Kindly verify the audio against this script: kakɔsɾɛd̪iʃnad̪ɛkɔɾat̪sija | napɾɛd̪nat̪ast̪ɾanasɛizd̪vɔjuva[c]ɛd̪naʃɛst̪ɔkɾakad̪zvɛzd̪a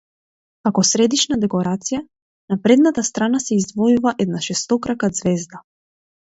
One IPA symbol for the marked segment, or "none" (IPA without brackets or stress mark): ʔ